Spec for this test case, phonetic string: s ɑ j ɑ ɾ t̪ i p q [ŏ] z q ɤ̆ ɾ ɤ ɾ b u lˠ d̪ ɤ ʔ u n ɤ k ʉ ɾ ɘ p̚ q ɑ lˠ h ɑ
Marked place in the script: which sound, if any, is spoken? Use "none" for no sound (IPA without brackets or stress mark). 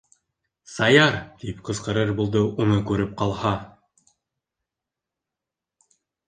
ɤ̆